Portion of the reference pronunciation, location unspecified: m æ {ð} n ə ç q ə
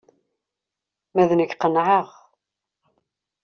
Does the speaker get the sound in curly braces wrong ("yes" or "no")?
no